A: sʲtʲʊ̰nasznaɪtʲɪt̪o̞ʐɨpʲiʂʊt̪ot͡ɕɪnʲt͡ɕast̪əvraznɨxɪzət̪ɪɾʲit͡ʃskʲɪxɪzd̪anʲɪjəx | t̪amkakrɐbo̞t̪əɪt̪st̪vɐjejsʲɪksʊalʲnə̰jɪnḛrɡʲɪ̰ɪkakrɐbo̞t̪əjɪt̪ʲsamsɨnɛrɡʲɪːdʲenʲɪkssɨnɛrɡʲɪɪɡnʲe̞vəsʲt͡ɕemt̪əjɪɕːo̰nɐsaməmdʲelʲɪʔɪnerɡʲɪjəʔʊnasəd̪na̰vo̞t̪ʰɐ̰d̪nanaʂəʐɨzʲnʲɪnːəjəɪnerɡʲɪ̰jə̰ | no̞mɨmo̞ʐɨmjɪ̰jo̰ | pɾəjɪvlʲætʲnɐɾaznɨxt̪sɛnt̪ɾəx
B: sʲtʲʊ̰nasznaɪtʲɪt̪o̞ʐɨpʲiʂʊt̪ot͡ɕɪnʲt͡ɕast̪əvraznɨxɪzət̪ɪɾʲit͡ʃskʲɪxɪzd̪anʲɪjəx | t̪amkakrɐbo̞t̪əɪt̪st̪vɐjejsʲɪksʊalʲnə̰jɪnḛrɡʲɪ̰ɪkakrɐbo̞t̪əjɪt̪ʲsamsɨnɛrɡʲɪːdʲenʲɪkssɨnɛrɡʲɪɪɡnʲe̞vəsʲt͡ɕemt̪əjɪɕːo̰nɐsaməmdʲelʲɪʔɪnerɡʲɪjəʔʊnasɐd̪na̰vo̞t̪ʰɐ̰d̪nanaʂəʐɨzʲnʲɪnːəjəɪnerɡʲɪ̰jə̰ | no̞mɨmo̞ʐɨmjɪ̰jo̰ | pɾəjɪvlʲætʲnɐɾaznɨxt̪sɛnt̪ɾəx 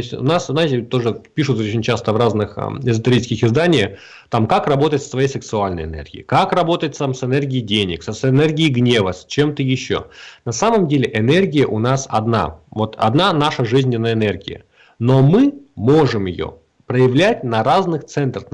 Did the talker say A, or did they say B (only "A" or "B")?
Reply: B